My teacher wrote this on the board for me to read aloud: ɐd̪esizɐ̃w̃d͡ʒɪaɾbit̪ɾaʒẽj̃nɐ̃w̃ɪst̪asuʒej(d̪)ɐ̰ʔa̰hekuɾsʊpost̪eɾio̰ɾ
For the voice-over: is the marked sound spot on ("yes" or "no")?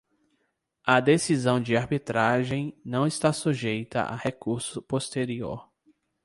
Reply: no